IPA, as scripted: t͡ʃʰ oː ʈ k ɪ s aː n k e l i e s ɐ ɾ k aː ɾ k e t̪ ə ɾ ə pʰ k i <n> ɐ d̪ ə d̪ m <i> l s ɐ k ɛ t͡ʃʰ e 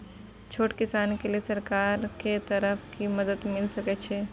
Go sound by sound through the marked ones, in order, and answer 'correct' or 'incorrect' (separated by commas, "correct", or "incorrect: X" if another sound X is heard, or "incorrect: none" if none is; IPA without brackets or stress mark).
incorrect: m, incorrect: ɪ